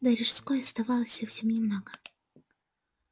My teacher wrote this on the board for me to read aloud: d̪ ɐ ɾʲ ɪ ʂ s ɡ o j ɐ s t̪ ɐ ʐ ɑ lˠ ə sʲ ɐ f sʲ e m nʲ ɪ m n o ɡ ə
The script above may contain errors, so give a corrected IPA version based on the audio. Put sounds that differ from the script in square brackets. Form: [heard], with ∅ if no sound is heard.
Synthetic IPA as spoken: d̪ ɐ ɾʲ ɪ ʂ s [k] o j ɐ s t̪ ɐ [v] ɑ lˠ ə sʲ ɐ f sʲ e m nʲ ɪ m n o ɡ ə